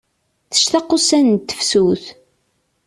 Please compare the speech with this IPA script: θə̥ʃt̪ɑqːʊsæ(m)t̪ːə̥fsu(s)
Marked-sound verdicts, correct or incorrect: incorrect, incorrect

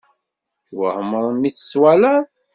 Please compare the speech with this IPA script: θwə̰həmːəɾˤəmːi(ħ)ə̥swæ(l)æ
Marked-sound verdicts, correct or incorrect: incorrect, correct

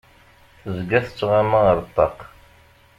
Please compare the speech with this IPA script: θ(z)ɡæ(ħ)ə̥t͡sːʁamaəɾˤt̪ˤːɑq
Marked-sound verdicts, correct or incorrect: correct, incorrect

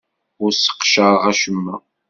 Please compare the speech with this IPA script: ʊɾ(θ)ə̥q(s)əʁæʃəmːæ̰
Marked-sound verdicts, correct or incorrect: incorrect, incorrect

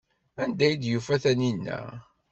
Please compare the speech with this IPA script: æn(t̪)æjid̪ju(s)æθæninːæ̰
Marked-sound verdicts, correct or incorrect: incorrect, incorrect

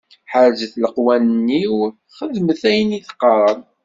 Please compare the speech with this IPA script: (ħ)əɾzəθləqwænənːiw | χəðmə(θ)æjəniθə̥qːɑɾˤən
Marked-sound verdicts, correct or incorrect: correct, correct

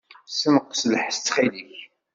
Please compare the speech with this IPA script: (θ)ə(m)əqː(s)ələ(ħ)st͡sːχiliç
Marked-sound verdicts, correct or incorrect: incorrect, correct, correct, correct

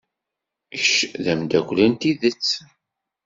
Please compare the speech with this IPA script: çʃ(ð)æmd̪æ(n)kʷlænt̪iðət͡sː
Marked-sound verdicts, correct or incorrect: correct, incorrect

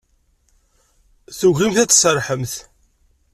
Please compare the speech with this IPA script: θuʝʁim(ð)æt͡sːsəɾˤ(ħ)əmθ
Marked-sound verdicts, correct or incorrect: incorrect, correct

